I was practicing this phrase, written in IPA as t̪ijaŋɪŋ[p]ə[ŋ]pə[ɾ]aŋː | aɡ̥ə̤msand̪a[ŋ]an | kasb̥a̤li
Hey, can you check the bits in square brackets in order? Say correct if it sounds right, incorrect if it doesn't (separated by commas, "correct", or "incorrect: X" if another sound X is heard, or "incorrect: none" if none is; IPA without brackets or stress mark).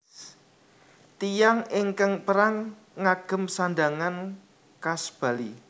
incorrect: k, correct, correct, correct